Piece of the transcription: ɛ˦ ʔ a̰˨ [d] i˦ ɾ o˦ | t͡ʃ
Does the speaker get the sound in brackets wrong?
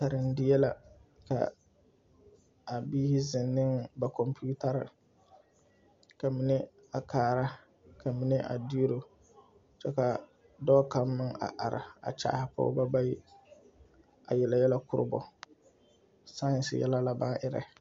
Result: no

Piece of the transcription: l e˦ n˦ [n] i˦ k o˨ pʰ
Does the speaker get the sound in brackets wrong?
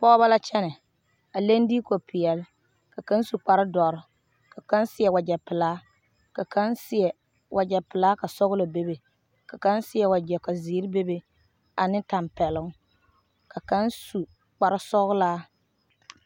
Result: yes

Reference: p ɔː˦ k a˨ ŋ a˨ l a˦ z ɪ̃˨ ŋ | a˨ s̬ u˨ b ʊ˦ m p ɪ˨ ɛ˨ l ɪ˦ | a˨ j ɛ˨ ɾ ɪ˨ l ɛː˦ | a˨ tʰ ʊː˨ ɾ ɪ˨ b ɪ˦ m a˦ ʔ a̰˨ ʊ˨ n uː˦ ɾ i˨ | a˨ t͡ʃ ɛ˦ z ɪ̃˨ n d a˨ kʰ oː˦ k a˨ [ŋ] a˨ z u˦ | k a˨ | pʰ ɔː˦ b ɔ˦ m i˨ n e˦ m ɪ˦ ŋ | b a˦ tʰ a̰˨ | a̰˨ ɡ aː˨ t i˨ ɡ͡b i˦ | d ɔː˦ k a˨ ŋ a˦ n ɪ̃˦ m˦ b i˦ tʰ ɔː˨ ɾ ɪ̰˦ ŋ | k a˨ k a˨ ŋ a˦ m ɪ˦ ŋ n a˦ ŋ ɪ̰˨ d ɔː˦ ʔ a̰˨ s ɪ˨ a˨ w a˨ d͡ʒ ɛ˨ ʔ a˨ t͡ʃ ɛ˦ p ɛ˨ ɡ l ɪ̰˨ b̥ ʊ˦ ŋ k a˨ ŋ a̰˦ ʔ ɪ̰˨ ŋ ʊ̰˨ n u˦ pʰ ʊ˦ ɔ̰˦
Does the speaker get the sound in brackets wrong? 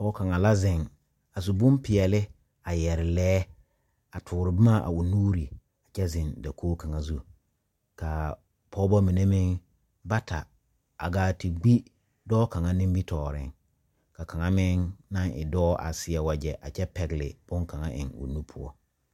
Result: no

